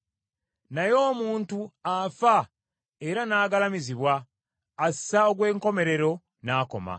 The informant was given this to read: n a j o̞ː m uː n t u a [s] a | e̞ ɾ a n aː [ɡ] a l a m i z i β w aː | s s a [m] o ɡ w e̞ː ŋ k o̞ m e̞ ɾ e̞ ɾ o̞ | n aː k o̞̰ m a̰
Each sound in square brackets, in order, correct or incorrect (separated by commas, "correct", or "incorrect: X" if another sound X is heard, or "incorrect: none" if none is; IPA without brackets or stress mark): incorrect: f, correct, incorrect: none